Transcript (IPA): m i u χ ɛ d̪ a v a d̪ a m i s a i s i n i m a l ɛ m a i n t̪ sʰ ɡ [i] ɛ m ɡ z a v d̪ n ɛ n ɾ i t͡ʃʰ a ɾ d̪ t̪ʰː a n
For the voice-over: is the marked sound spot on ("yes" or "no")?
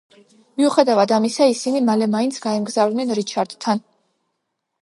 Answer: no